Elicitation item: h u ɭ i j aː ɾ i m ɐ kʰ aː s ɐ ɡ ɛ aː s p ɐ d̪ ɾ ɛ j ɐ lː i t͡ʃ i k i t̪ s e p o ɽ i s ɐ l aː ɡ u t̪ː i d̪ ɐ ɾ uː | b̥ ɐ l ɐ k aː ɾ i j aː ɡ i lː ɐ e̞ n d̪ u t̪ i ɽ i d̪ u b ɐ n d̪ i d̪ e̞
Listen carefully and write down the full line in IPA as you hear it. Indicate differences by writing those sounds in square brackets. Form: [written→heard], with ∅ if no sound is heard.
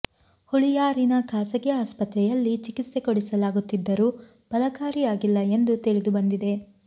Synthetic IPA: h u ɭ i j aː ɾ i [m→n] ɐ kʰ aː s ɐ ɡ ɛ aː s p ɐ [d̪→t̪] ɾ ɛ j ɐ lː i t͡ʃ i k i t̪ s e [p→k] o ɽ i s ɐ l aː ɡ u t̪ː i [d̪→d̪ː] ɐ ɾ uː | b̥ ɐ l ɐ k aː ɾ i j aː ɡ i lː ɐ e̞ n d̪ u t̪ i [ɽ→ɭ] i d̪ u b ɐ n d̪ i d̪ e̞